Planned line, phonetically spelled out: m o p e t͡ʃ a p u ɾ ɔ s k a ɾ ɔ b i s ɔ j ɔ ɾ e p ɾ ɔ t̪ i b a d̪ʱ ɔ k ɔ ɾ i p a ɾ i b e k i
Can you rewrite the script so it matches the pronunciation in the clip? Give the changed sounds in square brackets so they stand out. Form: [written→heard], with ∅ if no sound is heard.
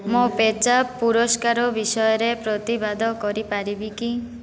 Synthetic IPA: m o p e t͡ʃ a p u ɾ ɔ s k a ɾ ɔ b i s ɔ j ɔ ɾ e p ɾ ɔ t̪ i b a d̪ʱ ɔ k ɔ ɾ i p a ɾ i b [e→i] k i